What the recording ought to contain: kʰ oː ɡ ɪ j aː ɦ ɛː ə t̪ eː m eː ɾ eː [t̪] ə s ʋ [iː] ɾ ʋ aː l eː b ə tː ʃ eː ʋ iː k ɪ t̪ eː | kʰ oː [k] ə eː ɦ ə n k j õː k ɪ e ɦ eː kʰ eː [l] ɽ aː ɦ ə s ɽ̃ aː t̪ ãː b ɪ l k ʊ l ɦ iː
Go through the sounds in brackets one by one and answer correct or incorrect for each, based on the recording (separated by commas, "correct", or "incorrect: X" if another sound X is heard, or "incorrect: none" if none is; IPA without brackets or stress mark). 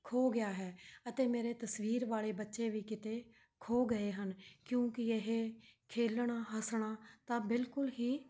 correct, correct, incorrect: ɡ, correct